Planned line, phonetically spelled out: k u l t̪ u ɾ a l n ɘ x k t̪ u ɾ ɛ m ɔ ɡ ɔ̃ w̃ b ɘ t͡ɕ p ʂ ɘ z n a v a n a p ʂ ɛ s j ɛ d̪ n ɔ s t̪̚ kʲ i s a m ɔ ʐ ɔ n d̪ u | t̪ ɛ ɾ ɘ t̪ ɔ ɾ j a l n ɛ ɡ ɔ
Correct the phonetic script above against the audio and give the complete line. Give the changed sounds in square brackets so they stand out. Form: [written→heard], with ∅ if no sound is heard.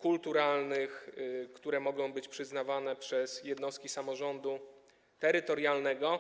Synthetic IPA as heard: k u l t̪ u ɾ a l n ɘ x k t̪ u ɾ ɛ m ɔ ɡ ɔ̃ w̃ b ɘ t͡ɕ p ʂ ɘ z n a v a n [a→ɛ] p ʂ ɛ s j ɛ d̪ n ɔ s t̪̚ kʲ i s a m ɔ ʐ ɔ n d̪ u | t̪ ɛ ɾ ɘ t̪ ɔ ɾ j a l n ɛ ɡ ɔ